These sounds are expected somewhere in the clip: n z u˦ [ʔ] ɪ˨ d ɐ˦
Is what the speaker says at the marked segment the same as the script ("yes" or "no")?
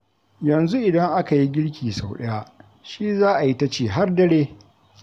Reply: yes